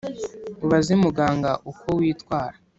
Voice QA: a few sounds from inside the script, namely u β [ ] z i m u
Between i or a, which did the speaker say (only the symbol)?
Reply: a